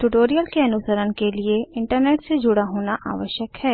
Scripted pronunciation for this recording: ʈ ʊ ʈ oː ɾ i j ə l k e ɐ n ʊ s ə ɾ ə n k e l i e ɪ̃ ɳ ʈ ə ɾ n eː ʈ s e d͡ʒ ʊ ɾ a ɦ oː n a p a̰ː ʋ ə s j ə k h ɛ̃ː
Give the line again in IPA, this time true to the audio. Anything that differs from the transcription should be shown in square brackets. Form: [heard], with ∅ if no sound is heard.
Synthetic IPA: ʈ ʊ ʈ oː ɾ i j ə l k e ɐ n ʊ s ə ɾ ə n k e l i e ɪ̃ ɳ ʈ ə ɾ n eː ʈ s e d͡ʒ ʊ [ɽ] a ɦ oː n a [ʔ] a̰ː ʋ ə [ʃ] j ə k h [ɛː]